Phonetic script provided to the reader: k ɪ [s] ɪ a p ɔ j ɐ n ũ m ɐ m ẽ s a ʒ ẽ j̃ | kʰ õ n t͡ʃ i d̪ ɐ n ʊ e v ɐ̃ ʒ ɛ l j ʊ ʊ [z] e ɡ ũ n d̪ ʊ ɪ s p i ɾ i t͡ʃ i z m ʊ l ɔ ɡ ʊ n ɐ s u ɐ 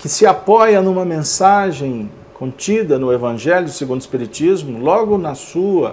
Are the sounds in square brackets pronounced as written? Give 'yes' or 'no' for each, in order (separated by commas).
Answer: yes, no